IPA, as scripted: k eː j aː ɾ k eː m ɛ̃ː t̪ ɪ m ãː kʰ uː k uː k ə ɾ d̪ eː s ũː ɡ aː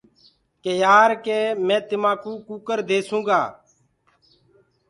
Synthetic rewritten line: k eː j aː ɾ k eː m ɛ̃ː t̪ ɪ m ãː k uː k uː k ə ɾ d̪ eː s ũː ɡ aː